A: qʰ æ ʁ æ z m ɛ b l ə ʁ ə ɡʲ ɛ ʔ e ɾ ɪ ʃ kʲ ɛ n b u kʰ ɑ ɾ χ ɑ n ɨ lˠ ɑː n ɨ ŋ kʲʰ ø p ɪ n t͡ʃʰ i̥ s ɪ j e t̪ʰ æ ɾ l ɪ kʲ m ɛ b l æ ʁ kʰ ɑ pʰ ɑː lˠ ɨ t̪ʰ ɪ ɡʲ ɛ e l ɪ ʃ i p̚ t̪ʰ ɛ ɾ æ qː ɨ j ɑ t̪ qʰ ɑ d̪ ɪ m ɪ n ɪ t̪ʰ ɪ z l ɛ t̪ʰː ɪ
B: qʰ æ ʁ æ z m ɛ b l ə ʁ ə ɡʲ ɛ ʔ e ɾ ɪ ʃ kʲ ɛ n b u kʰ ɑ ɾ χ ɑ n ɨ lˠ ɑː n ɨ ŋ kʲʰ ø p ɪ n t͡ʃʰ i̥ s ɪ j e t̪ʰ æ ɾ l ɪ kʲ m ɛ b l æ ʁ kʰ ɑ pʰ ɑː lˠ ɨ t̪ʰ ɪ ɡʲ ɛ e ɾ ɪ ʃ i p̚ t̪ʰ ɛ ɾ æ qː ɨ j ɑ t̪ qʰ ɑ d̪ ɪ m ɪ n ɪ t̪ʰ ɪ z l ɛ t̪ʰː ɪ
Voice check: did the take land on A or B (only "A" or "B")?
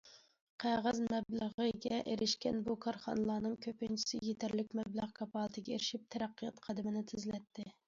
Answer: B